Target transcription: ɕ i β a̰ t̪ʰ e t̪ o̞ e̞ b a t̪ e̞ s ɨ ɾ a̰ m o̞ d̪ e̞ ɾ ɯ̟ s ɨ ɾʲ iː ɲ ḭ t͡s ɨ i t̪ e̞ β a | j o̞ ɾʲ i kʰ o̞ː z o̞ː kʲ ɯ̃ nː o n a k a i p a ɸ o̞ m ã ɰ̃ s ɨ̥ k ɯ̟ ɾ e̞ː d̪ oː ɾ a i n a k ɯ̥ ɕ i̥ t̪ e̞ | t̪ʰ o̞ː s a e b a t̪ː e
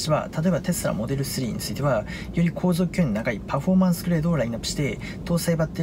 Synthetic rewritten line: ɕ i β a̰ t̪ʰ a t̪ o̞ e̞ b a t̪ e̞ s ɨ ɾ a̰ m o̞ d̪ e̞ ɾ ɯ̟ s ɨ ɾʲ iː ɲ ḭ t͡s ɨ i t̪ e̞ β a | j o̞ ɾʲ i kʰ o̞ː z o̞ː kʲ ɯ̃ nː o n a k a i p a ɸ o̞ m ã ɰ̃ s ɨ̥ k ɯ̟ ɾ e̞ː d̪ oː ɾ a i n a k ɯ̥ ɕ i̥ t̪ e̞ | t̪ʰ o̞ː s a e b a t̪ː e

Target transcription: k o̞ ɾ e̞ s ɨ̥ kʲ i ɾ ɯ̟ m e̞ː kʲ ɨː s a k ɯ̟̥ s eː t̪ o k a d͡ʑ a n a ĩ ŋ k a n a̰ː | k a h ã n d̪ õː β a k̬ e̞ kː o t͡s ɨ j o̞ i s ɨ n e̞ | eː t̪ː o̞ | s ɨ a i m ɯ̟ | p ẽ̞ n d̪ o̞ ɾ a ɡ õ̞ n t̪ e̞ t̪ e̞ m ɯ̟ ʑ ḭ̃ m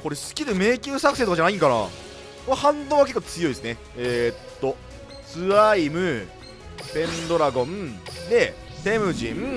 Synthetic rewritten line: k o̞ ɾ e̞ s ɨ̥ kʲ i ɾ ɯ̟ m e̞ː kʲ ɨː s a k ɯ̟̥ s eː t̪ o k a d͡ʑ a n a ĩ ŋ k a n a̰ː | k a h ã n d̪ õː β a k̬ e̞ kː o t͡s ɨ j o̞ i s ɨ n e̞ | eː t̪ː o̞ | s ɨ a i m ɯ̟ | p ẽ̞ n d̪ o̞ ɾ a ɡ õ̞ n d̪ e̞ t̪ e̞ m ɯ̟ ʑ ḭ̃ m

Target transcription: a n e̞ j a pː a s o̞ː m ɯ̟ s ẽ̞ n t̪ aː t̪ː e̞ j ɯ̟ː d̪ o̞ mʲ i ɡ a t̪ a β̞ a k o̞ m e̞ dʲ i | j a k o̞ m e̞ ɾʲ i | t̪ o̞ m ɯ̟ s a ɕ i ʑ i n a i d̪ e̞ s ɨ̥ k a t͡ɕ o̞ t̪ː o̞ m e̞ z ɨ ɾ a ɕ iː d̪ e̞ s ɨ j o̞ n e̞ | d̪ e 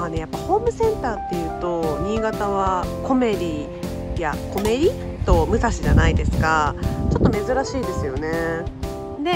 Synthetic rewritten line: a n e̞ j a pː a h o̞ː m ɯ̟ s ẽ̞ n t̪ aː t̪ː e̞ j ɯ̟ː t̪ o̞ mʲ i ɡ a t̪ a β̞ a k o̞ m e̞ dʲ i | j a k o̞ m e̞ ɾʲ i | t̪ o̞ m ɯ̟ s a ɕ i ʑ a n a i d̪ e̞ s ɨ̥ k a t͡ɕ o̞ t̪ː o̞ m e̞ z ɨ ɾ a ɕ iː d̪ e̞ s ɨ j o̞ n e̞ | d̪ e

